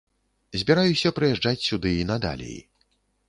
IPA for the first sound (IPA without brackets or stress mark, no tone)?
zʲ